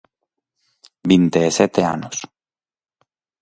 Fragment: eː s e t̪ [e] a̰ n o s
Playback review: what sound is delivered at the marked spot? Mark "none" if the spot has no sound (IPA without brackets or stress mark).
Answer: e